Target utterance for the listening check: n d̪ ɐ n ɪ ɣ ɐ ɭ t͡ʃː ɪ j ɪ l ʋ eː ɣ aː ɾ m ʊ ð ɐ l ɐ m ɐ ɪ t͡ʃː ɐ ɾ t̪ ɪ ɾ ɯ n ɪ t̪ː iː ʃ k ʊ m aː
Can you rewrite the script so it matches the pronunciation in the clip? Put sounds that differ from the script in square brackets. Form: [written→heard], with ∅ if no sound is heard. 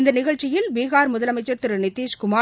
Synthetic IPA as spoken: n d̪ ɐ n ɪ ɣ ɐ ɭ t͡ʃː ɪ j ɪ l ʋ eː ɣ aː ɾ m ʊ ð ɐ l ɐ m ɐ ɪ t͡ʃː ɐ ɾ t̪ ɪ ɾ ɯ n ɪ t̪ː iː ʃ k ʊ m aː

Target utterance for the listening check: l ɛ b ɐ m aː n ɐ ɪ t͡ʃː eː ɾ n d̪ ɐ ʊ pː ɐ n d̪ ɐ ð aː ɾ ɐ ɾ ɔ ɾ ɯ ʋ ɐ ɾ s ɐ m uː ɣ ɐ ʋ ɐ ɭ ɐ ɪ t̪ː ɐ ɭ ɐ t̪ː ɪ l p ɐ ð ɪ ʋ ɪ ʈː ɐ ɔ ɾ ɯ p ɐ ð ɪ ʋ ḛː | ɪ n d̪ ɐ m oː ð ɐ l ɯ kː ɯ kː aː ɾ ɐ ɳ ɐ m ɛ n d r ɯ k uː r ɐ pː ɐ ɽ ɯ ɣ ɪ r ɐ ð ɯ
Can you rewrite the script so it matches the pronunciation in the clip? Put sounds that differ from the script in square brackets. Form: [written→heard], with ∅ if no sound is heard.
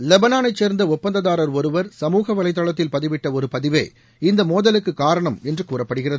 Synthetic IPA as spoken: l ɛ b ɐ [m→n] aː n ɐ ɪ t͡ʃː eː ɾ n d̪ ɐ ʊ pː ɐ n d̪ ɐ ð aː ɾ ɐ ɾ ɔ ɾ ɯ ʋ ɐ ɾ s ɐ m uː ɣ ɐ ʋ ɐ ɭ ɐ ɪ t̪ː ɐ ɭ ɐ t̪ː ɪ l p ɐ ð ɪ ʋ ɪ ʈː ɐ ɔ ɾ ɯ p ɐ ð ɪ ʋ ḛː | ɪ n d̪ ɐ m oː ð ɐ l ɯ kː ɯ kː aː ɾ ɐ ɳ ɐ m ɛ n d r ɯ k uː r ɐ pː ɐ ɽ ɯ ɣ ɪ r ɐ ð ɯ

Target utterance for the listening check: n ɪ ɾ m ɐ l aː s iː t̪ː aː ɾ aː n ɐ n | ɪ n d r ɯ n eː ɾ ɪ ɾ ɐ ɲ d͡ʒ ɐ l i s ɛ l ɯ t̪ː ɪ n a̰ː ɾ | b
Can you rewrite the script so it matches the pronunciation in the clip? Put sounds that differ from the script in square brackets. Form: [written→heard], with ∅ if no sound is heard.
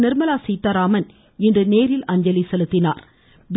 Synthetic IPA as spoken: n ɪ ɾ m ɐ l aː s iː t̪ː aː ɾ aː [n→m] ɐ n | ɪ n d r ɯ n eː ɾ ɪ [ɾ→l] ɐ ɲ d͡ʒ ɐ l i s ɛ l ɯ t̪ː ɪ n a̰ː ɾ | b

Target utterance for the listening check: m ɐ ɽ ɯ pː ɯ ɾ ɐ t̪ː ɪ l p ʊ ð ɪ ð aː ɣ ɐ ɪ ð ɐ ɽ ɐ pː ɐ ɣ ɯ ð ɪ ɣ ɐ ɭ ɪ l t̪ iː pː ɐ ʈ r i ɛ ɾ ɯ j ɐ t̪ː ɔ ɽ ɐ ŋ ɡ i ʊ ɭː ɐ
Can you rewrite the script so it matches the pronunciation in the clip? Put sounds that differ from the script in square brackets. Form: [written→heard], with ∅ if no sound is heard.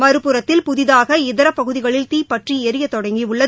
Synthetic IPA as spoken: m ɐ [ɽ→ɾ] ɯ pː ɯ ɾ ɐ t̪ː ɪ l p ʊ ð ɪ ð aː ɣ ɐ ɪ ð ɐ [ɽ→ɾ] ɐ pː ɐ ɣ ɯ ð ɪ ɣ ɐ ɭ ɪ l t̪ iː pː ɐ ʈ r i ɛ ɾ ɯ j ɐ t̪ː ɔ ɽ ɐ ŋ ɡ i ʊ ɭː ɐ

